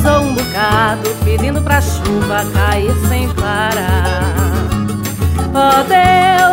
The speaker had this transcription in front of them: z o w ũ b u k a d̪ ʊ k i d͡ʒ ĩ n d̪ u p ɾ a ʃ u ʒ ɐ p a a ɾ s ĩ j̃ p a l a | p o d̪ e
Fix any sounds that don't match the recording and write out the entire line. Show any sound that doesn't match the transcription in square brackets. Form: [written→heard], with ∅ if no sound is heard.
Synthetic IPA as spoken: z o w ũ b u k a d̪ ʊ [k→p] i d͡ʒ ĩ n d̪ [u→ʊ] p ɾ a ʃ u [ʒ→v] ɐ [p→k] a [a→i] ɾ s [ĩ→ẽ] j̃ p a [l→ɾ] a | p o d̪ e